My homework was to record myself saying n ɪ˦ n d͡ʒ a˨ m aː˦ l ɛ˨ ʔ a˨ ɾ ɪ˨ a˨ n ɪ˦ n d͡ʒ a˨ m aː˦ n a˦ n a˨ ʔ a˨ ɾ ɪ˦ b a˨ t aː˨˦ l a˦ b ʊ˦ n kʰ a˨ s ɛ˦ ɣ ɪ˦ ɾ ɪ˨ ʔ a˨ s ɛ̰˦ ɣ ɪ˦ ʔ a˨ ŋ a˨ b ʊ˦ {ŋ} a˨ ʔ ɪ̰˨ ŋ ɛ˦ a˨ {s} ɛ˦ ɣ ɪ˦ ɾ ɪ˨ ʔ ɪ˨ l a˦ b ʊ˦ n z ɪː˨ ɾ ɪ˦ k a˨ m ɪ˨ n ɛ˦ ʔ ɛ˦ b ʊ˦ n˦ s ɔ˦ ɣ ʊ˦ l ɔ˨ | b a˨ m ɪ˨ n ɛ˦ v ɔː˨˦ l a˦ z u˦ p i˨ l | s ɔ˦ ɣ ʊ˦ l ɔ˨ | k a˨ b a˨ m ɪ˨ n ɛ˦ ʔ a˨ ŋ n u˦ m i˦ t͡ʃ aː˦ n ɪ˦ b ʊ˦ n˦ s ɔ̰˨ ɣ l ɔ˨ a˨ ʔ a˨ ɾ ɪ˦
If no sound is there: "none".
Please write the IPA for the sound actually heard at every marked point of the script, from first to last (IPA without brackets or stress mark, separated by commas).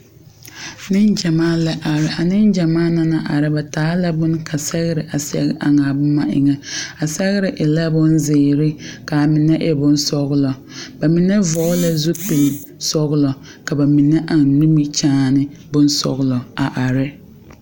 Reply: m, s